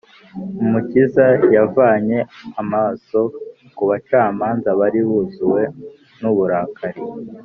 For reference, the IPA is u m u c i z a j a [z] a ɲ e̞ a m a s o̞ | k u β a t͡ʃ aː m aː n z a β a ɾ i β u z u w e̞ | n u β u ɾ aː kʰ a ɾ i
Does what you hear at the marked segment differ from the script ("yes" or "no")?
yes